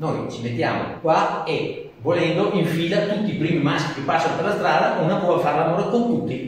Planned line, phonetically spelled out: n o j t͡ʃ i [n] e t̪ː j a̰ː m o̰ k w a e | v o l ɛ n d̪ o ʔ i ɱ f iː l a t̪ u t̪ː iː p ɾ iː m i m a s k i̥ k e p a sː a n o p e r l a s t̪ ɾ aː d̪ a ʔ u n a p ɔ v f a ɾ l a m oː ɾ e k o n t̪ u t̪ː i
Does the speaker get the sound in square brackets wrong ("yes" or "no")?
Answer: yes